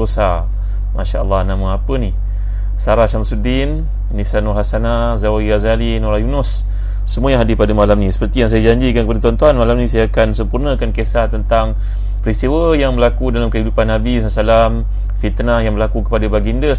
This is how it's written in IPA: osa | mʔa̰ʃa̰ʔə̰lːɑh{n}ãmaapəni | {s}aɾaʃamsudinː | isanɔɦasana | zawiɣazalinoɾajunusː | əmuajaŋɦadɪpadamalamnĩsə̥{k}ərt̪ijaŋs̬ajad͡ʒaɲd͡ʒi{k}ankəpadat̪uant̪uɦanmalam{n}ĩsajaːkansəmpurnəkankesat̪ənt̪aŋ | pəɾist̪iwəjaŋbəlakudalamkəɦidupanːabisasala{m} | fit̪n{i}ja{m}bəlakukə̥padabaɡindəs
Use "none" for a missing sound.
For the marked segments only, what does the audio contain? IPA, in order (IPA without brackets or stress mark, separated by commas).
n, s, p, k, n, m, a, ŋ